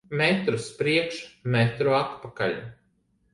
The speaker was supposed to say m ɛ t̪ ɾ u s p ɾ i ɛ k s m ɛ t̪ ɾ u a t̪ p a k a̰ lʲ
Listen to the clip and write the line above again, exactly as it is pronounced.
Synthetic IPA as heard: m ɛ t̪ ɾ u s p ɾ i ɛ k ʃ m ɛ t̪ ɾ u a t̪ p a k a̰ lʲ